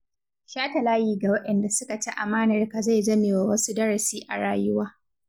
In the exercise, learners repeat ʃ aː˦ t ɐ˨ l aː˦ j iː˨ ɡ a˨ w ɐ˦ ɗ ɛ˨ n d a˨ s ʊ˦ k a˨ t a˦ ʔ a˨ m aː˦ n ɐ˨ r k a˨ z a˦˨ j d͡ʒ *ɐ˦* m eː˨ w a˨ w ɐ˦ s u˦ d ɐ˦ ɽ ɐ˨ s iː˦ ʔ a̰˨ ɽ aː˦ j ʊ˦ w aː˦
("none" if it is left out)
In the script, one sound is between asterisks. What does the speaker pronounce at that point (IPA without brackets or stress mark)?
ɐ˦